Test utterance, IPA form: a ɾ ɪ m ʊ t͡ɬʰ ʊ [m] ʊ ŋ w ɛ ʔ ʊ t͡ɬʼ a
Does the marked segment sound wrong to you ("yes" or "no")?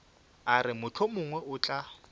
no